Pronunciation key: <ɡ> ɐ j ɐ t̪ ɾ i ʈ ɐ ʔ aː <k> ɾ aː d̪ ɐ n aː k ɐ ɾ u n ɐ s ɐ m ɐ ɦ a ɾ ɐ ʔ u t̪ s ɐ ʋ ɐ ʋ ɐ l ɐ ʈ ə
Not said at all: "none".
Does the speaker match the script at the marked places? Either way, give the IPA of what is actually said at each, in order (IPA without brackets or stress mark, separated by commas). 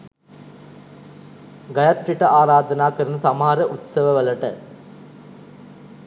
ɡ, none